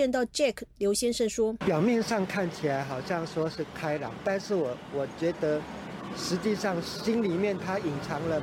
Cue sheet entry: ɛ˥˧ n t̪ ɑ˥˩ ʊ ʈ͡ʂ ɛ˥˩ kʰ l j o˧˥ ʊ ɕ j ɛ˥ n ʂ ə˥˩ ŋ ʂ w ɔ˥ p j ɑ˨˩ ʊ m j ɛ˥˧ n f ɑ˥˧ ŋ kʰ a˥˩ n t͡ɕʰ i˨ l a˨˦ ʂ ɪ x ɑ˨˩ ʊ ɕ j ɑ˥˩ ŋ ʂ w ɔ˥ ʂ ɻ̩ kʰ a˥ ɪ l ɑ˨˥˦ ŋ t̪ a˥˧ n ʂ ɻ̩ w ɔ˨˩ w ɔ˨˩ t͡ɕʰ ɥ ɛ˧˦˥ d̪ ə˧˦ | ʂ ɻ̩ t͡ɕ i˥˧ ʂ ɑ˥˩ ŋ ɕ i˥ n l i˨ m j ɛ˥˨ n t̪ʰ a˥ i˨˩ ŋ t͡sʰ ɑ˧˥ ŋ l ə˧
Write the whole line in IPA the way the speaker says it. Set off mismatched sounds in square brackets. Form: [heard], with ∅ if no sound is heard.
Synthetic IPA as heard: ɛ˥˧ n t̪ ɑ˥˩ ʊ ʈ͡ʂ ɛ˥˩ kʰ l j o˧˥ ʊ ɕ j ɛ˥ n ʂ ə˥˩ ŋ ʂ w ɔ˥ p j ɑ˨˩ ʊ m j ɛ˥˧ n [ʂ] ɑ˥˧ ŋ kʰ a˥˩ n t͡ɕʰ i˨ l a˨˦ [∅] ɪ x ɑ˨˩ ʊ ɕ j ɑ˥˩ ŋ ʂ w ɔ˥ ʂ ɻ̩ kʰ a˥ ɪ l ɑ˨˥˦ ŋ t̪ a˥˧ n ʂ ɻ̩ w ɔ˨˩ w ɔ˨˩ [t͡ɕ] ɥ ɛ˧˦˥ d̪ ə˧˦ | ʂ ɻ̩ t͡ɕ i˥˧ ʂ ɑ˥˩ ŋ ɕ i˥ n l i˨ m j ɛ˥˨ n t̪ʰ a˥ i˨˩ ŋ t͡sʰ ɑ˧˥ ŋ l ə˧